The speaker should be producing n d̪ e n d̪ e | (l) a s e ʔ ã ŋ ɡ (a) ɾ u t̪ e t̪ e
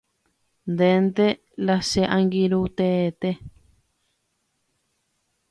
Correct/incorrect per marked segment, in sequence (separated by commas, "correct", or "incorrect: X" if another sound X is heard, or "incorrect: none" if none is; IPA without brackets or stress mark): correct, incorrect: i